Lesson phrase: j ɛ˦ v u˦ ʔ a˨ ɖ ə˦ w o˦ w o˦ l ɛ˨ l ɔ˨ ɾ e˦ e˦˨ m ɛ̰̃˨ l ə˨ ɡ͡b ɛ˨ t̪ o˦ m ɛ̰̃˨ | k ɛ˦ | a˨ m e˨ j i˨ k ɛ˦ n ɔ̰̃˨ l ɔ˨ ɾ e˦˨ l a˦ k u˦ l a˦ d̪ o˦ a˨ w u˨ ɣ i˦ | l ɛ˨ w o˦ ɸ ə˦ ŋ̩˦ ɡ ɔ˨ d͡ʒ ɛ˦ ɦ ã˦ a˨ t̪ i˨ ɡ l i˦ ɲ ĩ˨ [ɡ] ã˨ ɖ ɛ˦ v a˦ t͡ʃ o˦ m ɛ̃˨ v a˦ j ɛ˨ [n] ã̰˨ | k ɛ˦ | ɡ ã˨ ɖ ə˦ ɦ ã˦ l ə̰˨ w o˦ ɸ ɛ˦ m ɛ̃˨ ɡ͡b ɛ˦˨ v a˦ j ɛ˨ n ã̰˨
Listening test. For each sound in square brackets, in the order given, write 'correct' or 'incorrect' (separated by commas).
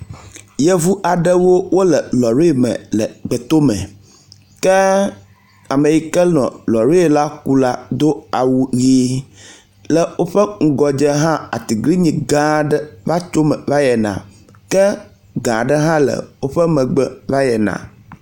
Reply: correct, correct